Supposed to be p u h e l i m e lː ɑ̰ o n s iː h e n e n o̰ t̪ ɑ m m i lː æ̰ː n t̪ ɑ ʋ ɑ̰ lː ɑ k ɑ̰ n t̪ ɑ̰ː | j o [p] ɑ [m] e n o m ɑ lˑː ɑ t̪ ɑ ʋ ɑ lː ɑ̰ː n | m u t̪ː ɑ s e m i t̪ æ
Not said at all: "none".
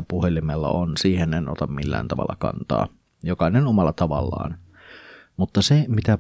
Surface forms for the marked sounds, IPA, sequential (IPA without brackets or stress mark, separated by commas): k, n